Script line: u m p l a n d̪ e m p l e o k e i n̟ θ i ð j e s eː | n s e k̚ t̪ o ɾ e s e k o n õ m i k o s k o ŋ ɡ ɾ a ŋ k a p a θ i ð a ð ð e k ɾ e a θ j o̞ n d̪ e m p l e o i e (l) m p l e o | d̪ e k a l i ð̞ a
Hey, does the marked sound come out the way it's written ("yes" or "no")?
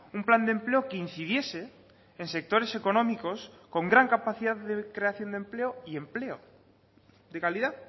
no